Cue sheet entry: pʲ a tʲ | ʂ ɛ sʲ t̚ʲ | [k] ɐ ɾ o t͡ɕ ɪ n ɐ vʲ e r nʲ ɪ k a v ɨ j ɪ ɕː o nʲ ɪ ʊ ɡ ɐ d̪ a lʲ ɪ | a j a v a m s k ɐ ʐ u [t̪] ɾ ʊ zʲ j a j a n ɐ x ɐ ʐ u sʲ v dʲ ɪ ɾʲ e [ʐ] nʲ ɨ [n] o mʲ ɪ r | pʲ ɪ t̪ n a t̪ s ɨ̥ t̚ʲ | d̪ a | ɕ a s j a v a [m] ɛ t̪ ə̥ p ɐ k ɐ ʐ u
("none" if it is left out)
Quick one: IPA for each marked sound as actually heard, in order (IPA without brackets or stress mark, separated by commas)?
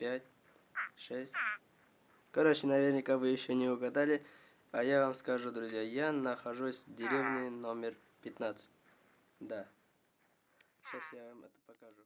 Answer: k, d̪, v, n, m